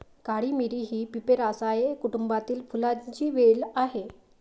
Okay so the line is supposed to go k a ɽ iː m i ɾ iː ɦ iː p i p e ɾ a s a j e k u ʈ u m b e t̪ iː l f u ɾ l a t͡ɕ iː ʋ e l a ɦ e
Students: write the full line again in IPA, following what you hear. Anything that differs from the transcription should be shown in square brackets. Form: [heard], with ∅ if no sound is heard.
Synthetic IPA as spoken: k a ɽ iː m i ɾ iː ɦ iː p i p e ɾ a s a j e k u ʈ u m b [a] t̪ iː l f u [∅] l a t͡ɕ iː ʋ e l a ɦ e